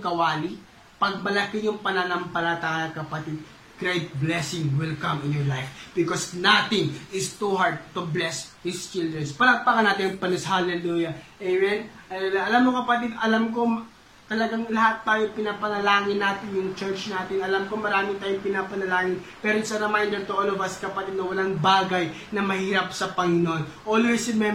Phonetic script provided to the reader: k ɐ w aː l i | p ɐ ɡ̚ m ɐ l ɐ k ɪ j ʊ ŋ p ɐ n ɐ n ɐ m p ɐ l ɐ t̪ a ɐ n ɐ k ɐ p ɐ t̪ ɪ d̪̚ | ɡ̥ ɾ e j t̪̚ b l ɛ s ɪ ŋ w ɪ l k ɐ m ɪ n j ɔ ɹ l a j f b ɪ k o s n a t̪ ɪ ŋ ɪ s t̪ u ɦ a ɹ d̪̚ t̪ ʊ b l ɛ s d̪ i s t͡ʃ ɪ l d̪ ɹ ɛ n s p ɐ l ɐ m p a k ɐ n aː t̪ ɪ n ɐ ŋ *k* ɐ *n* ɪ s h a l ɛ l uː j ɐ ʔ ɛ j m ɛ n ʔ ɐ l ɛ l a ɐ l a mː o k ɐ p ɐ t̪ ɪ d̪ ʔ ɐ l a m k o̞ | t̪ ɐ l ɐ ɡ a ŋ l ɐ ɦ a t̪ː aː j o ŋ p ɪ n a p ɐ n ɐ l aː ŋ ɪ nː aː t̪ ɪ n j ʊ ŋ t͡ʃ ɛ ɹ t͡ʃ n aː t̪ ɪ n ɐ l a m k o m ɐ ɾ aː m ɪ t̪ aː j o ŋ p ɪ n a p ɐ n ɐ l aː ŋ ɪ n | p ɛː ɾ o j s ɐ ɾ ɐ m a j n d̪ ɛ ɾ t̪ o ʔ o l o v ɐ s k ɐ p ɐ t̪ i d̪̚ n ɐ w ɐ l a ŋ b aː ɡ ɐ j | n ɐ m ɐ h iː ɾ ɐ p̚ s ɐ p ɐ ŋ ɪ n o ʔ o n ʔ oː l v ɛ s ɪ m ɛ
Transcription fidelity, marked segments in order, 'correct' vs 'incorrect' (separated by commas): incorrect, correct